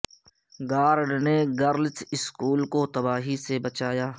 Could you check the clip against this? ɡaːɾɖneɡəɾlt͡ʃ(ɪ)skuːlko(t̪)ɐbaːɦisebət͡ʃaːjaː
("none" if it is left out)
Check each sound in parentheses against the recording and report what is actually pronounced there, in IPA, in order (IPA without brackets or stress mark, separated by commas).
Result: ɪ, t̪